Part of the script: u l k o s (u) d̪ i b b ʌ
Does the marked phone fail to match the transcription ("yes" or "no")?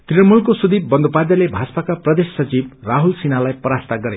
no